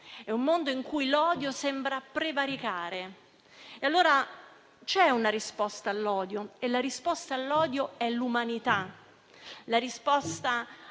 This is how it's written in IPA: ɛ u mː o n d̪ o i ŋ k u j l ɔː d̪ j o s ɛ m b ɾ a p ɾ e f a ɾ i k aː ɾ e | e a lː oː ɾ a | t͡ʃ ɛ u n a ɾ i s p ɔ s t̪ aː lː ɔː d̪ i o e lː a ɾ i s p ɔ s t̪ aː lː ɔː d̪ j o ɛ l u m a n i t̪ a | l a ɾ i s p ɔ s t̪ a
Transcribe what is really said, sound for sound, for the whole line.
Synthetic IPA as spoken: ɛ u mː o n d̪ o i ŋ k u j l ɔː d̪ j o s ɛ m b ɾ a p ɾ e v a ɾ i k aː ɾ e | e a lː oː ɾ a | t͡ʃ ɛ u n a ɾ i s p ɔ s t̪ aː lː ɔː d̪ j o e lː a ɾ i s p ɔ s t̪ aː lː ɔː d̪ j o ɛ l u m a n i t̪ a | l a ɾ i s p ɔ s t̪ a